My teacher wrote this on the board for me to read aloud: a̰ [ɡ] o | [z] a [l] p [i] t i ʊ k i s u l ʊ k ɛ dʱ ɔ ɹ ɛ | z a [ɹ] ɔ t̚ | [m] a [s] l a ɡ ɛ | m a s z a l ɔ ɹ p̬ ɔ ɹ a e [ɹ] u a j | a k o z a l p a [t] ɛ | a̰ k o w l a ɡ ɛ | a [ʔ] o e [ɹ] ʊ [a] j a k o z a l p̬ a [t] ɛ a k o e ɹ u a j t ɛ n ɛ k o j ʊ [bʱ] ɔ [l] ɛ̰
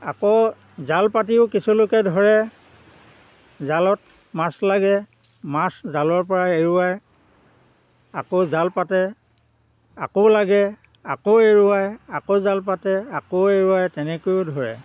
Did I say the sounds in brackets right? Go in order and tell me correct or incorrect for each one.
incorrect: k, correct, correct, incorrect: a, incorrect: l, correct, correct, correct, correct, incorrect: k, correct, correct, correct, incorrect: dʱ, incorrect: ɹ

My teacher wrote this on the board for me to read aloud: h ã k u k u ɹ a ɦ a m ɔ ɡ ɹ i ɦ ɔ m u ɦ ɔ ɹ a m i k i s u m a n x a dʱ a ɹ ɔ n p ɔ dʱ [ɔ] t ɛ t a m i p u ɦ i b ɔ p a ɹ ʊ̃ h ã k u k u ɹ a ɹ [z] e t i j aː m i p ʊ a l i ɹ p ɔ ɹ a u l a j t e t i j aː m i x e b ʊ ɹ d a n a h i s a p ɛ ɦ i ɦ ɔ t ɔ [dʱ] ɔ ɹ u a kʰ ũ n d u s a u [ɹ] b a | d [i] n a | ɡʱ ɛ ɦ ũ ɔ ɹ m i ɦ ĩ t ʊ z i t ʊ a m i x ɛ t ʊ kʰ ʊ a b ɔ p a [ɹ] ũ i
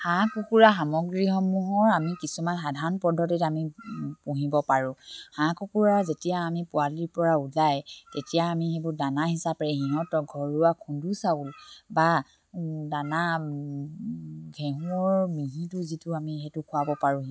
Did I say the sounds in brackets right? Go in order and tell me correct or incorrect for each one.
correct, correct, incorrect: ɡʱ, incorrect: l, incorrect: a, correct

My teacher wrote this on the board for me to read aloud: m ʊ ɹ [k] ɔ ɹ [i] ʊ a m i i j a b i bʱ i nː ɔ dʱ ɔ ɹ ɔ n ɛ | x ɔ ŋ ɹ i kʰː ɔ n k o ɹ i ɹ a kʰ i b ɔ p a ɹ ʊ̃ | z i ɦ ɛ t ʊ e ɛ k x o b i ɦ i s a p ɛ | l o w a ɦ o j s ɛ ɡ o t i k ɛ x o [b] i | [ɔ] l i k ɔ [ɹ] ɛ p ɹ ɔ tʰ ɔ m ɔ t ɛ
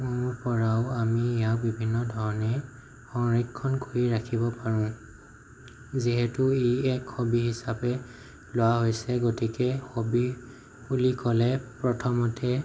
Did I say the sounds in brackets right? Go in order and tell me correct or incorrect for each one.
incorrect: p, incorrect: a, correct, incorrect: u, incorrect: l

